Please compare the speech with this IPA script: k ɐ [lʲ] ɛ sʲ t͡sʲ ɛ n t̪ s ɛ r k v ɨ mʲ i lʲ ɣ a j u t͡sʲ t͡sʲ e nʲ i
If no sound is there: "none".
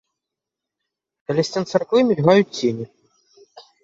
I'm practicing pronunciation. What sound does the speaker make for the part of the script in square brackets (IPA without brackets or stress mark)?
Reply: lʲ